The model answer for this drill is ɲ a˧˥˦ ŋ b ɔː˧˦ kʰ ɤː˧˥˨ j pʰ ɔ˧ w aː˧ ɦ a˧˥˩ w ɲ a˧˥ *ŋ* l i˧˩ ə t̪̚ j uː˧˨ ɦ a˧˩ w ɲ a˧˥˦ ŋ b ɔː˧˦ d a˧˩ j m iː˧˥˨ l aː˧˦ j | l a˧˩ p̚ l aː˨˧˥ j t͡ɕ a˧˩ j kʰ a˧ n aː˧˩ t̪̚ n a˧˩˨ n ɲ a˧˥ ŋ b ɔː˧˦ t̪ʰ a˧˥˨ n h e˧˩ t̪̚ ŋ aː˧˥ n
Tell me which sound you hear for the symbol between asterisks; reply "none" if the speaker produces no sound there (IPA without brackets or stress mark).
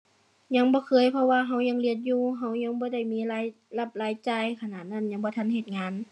ŋ